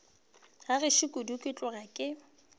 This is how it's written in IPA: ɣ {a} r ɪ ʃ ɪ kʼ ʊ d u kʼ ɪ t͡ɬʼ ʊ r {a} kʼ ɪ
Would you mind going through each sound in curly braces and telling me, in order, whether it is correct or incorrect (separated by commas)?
correct, correct